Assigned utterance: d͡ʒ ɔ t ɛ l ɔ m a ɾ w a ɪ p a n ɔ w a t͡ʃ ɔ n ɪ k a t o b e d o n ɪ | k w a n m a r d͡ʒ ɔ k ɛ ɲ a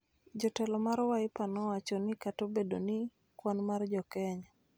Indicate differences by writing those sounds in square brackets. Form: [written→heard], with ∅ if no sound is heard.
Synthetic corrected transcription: d͡ʒ ɔ t ɛ l ɔ m a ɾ w a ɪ p a n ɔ w a t͡ʃ ɔ n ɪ k a t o b e d o n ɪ | k w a n m a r d͡ʒ ɔ k ɛ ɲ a